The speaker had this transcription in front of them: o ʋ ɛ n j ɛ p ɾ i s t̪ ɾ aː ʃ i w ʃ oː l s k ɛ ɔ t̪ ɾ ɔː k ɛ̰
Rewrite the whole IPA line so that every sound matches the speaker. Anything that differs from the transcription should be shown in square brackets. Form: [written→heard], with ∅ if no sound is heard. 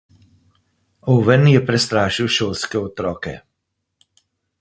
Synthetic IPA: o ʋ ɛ n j ɛ p ɾ [i→ɛ] s t̪ ɾ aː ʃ i w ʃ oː l s k ɛ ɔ t̪ ɾ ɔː k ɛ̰